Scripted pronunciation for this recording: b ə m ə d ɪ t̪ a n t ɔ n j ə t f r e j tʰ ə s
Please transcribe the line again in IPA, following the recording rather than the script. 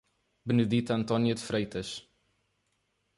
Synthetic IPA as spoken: b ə n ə d i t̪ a n t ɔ n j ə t f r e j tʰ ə s